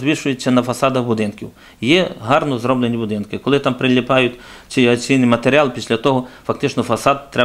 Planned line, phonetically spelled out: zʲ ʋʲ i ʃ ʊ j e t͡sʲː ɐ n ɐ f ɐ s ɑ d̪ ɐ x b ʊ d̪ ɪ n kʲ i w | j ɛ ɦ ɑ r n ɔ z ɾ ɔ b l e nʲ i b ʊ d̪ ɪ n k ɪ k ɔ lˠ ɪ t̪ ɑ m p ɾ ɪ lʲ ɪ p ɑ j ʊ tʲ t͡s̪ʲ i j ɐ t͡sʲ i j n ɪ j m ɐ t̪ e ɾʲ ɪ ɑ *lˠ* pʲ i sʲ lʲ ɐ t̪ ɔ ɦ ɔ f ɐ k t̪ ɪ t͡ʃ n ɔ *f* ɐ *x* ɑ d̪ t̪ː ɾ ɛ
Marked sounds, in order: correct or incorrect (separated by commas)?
correct, correct, incorrect